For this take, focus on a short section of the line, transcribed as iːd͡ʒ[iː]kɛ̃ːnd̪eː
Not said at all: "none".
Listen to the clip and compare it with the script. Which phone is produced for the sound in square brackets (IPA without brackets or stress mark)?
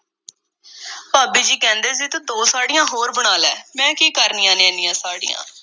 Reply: iː